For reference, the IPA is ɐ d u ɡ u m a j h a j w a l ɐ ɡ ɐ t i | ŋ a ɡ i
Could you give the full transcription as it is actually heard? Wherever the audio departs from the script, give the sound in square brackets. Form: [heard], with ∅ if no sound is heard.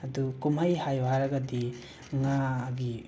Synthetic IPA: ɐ d u [k] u m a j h a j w a [ɾ] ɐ ɡ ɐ [d] i | ŋ a ɡ i